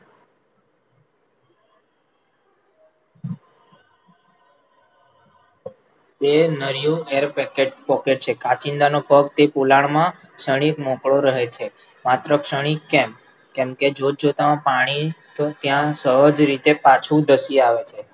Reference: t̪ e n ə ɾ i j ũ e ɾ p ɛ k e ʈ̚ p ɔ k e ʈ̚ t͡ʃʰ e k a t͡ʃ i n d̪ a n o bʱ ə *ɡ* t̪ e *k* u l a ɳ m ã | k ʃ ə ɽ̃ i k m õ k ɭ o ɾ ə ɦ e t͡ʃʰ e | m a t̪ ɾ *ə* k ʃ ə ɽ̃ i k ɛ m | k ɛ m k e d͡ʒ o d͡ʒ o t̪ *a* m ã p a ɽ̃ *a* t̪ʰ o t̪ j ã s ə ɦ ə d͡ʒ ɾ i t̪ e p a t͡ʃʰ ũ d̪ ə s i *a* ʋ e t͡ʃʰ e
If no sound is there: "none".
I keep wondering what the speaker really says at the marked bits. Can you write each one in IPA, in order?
ɡ, p, ə, a, i, a

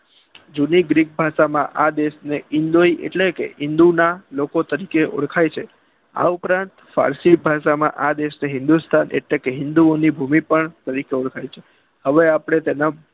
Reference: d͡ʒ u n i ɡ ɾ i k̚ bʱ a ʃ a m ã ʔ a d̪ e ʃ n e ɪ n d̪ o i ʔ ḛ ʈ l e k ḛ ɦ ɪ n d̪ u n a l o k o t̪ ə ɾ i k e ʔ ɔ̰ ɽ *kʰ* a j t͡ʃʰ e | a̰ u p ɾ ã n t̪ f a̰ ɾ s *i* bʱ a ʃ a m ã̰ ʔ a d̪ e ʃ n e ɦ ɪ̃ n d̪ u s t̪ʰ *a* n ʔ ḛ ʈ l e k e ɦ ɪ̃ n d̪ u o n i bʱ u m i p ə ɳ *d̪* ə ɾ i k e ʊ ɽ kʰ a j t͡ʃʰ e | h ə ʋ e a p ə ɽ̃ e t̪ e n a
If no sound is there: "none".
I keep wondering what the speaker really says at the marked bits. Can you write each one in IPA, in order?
kʰ, i, a, t̪

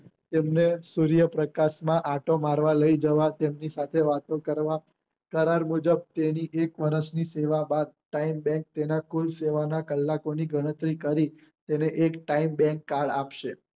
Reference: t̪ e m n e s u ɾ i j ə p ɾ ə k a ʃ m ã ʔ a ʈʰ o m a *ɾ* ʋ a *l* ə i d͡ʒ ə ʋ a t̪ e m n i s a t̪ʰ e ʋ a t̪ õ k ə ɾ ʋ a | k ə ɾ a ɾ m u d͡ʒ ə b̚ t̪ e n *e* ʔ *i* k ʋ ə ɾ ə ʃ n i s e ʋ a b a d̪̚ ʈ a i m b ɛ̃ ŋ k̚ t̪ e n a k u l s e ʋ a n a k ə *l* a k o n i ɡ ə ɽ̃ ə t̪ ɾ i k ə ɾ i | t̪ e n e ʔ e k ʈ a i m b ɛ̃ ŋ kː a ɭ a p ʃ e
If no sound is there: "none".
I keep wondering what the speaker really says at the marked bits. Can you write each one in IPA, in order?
ɾ, l, i, e, lː

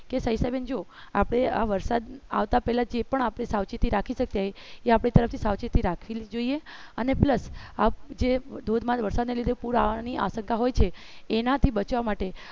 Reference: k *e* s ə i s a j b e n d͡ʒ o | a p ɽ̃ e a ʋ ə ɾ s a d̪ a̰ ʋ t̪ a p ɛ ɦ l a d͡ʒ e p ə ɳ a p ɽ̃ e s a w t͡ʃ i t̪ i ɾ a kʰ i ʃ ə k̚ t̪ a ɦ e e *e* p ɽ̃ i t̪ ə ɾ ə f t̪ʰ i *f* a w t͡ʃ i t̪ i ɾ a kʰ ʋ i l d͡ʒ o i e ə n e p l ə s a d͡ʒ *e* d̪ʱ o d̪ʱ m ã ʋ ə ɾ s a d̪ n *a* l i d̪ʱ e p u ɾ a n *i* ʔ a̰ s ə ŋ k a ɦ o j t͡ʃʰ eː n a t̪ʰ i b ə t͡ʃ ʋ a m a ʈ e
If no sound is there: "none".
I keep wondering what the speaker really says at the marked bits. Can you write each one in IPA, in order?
e, a, s, e, e, i

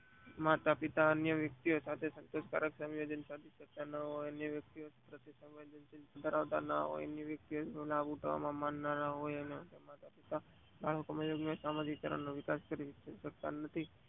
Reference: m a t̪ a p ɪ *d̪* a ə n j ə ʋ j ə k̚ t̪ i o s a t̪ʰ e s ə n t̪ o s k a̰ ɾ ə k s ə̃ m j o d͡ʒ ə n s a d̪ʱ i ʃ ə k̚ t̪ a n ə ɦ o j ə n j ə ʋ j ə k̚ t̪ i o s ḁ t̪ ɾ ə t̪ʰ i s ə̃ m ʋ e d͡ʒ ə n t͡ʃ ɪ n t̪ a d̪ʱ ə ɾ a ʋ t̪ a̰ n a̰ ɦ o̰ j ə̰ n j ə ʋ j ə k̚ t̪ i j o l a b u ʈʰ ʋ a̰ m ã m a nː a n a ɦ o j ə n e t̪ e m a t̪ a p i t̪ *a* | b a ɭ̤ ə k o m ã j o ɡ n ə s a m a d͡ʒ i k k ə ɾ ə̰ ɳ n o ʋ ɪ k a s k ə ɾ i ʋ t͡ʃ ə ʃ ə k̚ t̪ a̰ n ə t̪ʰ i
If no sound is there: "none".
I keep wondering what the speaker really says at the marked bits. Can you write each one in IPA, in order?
t̪, a

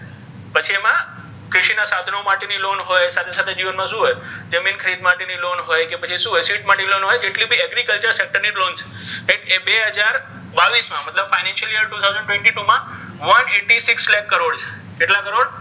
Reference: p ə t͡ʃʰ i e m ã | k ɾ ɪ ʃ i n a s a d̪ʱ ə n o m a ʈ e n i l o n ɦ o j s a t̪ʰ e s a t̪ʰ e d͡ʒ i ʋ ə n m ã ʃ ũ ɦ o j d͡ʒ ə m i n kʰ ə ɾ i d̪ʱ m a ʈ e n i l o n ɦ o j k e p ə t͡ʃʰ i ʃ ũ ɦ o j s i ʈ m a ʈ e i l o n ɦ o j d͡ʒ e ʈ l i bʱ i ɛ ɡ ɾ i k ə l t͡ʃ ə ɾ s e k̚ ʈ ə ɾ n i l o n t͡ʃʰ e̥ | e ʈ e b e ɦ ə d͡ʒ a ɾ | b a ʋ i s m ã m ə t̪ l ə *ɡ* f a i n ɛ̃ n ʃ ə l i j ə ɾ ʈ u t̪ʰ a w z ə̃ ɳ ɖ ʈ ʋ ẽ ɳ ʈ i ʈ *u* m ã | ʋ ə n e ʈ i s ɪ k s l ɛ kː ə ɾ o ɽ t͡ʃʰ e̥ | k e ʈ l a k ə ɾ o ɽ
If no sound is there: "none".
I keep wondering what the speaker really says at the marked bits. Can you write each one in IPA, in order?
b, u

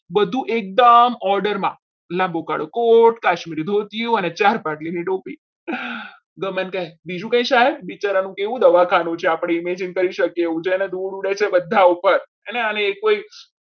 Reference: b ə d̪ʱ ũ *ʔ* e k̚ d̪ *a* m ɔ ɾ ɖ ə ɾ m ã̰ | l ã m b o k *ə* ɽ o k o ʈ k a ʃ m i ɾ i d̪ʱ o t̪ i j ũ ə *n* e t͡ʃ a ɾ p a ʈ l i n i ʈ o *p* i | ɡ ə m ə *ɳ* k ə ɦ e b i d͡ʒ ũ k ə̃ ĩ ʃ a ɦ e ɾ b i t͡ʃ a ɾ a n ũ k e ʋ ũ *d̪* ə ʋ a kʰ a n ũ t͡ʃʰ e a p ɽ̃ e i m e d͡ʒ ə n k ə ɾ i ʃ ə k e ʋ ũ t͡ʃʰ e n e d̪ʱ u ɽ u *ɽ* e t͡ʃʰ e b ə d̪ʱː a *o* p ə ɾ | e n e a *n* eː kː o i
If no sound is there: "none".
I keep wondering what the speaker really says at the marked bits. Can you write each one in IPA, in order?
ʔ, ə, a, n, p, n, d̪, ɽ, u, n

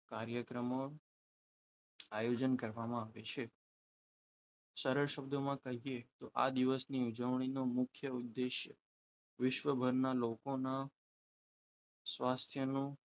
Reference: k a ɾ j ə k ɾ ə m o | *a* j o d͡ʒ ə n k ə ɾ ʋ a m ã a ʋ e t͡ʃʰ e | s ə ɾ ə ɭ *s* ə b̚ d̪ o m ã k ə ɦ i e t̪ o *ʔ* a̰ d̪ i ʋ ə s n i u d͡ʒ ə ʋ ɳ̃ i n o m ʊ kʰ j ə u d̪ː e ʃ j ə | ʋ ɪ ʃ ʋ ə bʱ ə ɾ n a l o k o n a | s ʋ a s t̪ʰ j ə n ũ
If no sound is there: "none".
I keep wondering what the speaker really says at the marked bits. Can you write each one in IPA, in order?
a, ʃ, ʔ

